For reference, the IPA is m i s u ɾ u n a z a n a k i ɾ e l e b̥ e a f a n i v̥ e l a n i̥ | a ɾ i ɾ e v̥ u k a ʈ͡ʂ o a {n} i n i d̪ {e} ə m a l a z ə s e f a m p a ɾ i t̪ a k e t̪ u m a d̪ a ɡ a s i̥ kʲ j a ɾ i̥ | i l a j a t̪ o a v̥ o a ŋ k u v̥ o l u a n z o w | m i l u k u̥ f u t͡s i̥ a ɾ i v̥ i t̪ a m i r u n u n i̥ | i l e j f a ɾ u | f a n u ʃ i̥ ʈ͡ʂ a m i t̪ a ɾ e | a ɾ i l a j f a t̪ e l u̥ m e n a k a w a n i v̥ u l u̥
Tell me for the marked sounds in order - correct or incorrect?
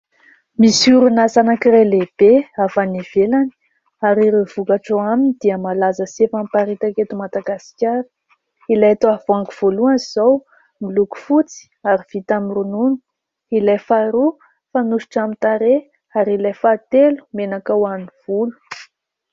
incorrect, incorrect

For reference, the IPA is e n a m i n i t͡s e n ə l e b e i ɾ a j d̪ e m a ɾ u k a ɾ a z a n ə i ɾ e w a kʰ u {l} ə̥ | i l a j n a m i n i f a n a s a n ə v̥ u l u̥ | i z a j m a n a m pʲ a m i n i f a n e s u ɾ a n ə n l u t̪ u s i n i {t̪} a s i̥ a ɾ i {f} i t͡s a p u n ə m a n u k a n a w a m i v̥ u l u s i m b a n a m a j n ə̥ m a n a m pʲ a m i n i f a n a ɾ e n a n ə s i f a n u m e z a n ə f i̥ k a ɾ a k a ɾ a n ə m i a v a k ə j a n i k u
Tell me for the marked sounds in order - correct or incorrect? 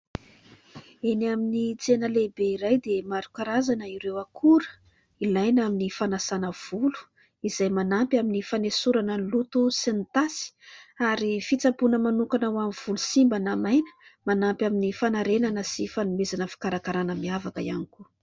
incorrect, correct, correct

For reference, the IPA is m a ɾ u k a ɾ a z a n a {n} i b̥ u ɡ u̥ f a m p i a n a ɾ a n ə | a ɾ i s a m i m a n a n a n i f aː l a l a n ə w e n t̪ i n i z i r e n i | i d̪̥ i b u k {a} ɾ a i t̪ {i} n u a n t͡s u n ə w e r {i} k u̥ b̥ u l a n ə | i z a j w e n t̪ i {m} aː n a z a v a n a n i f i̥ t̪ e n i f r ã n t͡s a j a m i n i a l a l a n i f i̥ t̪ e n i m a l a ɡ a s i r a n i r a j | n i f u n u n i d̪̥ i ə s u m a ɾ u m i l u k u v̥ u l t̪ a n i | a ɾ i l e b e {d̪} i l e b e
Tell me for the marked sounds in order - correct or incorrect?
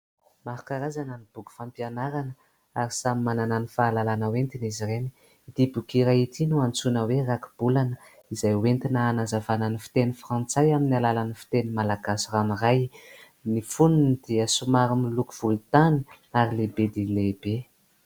correct, incorrect, correct, incorrect, incorrect, correct

